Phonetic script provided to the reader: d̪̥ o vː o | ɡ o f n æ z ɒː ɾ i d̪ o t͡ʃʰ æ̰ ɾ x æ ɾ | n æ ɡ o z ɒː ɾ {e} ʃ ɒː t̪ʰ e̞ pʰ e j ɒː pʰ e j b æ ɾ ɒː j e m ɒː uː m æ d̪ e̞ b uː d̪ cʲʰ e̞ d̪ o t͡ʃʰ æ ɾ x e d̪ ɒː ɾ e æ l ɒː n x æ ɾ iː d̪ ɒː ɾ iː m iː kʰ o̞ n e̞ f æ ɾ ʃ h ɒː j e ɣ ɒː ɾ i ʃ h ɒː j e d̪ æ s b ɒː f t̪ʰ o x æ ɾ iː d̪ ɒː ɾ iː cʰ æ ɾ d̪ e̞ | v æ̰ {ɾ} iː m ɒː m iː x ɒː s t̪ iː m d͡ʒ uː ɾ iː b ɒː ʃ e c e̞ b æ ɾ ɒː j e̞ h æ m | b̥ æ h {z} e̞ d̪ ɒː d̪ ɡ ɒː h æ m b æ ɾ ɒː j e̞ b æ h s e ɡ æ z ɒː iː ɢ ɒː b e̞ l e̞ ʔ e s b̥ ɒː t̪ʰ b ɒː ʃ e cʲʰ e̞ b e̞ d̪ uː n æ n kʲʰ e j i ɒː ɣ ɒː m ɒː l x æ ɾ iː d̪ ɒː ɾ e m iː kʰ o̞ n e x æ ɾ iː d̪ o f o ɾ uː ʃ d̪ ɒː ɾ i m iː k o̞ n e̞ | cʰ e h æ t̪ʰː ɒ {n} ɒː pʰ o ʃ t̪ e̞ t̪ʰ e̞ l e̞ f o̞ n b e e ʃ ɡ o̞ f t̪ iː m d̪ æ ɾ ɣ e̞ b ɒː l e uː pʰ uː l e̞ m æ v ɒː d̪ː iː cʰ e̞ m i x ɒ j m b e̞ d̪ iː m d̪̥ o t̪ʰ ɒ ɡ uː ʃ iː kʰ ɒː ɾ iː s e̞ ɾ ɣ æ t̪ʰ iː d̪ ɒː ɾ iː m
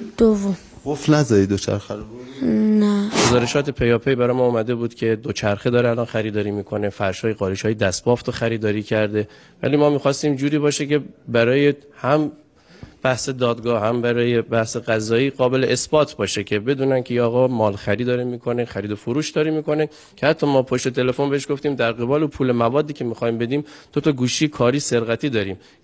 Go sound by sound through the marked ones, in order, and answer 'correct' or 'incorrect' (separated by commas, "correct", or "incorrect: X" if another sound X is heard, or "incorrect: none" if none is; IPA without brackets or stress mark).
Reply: correct, incorrect: l, incorrect: s, incorrect: m